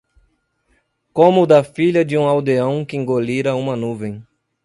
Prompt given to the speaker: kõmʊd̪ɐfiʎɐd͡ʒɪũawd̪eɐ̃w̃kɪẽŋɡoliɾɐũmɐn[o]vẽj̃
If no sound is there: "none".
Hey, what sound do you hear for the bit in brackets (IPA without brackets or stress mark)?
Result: u